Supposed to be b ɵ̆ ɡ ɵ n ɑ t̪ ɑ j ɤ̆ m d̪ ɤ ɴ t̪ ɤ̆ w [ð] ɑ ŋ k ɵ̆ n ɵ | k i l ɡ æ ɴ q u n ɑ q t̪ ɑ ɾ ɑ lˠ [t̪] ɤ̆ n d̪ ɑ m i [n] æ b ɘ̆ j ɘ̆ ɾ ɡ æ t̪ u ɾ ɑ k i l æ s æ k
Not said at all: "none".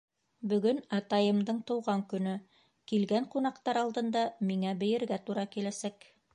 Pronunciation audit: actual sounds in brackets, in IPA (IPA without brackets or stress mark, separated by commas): ʁ, d̪, ŋ